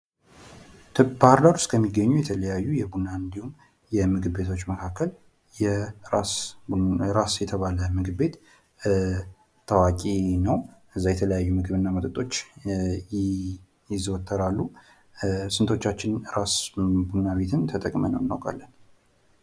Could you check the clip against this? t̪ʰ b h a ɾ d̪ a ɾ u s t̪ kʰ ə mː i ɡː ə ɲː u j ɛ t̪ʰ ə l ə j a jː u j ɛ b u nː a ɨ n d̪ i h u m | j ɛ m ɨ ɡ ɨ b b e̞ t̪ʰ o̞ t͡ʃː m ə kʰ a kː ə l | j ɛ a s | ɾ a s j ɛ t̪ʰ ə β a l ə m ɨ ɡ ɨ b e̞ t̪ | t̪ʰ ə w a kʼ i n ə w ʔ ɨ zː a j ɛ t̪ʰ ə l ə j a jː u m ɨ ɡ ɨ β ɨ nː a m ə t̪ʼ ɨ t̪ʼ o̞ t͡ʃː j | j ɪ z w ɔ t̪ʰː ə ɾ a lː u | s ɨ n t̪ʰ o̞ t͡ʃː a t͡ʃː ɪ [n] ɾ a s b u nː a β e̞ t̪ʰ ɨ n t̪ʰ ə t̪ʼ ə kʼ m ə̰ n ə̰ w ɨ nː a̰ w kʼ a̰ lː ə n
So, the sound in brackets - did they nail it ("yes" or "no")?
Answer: yes